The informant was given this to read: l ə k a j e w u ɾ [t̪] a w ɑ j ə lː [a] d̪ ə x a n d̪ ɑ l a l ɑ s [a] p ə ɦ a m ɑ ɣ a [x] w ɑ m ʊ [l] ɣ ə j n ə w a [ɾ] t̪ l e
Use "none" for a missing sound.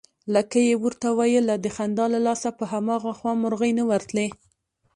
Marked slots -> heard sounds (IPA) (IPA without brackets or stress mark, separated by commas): t̪, a, a, x, ɾ, ɾ